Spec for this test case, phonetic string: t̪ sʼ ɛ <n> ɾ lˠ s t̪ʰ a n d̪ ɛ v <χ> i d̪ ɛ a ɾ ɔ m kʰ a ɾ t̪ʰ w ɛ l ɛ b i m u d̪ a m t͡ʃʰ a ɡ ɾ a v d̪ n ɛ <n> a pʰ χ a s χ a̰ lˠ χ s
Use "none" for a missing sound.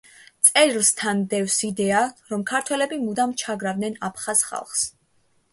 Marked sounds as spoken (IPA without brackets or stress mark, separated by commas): none, s, n